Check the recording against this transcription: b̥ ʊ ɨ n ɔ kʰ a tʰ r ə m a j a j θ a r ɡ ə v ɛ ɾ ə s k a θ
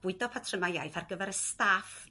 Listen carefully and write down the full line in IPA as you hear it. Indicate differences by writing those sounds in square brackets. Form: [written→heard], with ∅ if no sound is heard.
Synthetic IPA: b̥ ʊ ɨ [n→d] ɔ [kʰ→pʰ] a tʰ r ə m a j a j θ a r ɡ ə v ɛ ɾ ə s [k→t] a [θ→f]